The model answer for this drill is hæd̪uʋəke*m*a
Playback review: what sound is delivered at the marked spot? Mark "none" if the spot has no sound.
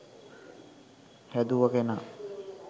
n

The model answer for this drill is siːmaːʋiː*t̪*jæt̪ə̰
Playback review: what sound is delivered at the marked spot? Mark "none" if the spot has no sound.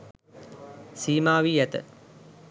none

